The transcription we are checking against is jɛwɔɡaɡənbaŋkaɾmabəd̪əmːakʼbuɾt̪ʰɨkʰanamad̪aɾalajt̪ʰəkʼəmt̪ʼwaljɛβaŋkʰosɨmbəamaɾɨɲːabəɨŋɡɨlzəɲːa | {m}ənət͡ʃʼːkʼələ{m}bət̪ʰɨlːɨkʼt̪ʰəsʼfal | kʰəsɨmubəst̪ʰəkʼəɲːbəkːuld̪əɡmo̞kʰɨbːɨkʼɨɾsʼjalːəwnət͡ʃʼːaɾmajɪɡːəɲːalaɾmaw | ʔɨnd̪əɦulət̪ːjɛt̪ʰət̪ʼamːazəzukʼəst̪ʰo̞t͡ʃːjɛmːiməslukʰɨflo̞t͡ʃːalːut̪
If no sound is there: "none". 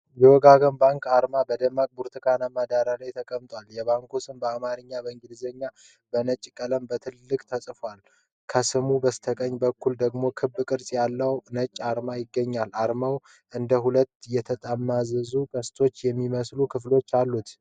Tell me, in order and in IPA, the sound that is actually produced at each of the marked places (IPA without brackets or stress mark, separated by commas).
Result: b, m